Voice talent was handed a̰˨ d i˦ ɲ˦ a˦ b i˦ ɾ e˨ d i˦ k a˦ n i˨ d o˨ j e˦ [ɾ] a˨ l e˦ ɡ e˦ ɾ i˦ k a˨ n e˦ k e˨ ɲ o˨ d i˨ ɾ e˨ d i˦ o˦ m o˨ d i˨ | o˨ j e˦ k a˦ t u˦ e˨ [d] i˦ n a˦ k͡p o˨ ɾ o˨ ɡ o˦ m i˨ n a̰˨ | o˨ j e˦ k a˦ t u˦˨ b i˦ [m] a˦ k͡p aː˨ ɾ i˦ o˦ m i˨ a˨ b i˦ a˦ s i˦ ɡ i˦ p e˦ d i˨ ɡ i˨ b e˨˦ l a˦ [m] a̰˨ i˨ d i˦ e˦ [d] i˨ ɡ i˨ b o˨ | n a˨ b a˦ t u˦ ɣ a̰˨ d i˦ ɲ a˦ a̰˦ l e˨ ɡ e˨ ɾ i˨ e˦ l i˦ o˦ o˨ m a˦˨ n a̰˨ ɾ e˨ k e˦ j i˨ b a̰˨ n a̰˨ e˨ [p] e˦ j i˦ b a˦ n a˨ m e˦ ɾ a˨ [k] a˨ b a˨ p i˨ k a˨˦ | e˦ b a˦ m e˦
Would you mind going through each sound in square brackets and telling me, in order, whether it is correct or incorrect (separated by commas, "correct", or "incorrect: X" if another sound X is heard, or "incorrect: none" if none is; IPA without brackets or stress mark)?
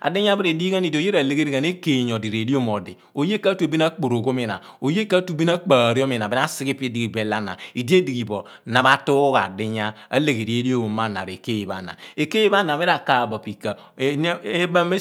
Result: correct, incorrect: b, incorrect: n, incorrect: n, correct, incorrect: k, correct